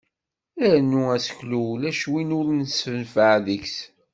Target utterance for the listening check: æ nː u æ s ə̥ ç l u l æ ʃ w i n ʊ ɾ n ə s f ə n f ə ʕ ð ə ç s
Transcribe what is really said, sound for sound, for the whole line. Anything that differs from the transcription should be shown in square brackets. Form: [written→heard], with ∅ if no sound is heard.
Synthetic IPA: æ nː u æ s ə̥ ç l u l æ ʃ w i n ʊ ɾ n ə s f ə n f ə ʕ ð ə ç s